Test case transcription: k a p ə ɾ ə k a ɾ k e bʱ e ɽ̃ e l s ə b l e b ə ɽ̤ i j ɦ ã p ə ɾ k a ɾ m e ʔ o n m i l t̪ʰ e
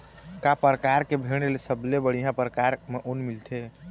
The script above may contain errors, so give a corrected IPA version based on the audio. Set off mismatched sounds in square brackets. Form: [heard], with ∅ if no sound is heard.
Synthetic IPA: k a p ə ɾ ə k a ɾ k e bʱ e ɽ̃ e l s ə b l e b ə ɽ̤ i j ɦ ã p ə ɾ k a ɾ m e ʔ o n m i l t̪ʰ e